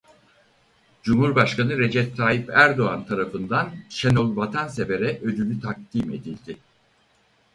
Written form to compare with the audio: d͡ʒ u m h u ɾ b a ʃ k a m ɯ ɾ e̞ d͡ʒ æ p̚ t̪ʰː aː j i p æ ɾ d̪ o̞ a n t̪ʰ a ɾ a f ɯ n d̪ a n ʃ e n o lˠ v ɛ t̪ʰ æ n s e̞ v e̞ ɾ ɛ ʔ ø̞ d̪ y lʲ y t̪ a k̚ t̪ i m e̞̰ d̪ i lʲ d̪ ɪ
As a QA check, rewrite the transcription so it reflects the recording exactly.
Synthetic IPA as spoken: d͡ʒ u m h u ɾ b a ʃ k a n ɯ ɾ e̞ d͡ʒ ɛ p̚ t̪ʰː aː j i p æ ɾ d̪ o̞ a n t̪ʰ a ɾ a f ɯ n d̪ a n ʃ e n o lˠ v a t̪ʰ a n s e̞ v e̞ ɾ ɛ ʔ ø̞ d̪ y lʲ y t̪ʰ a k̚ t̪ i m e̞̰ d̪ i lʲ d̪ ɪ